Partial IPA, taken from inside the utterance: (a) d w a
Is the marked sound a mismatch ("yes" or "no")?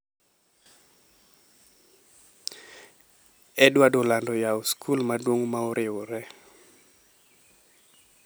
yes